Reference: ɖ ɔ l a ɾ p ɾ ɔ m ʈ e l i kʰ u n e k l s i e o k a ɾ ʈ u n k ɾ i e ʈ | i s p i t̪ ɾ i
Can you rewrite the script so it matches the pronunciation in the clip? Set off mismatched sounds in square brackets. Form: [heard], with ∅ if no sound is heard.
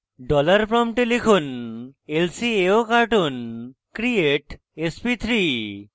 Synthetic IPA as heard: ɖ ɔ l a ɾ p ɾ ɔ m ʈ e l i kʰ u n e [∅] l s i e o k a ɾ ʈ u n k ɾ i e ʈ | [e] s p i [t̪ʰ] ɾ i